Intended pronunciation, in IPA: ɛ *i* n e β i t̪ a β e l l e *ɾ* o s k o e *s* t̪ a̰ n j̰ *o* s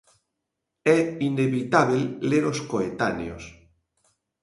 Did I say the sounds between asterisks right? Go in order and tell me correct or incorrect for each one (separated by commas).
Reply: correct, correct, incorrect, correct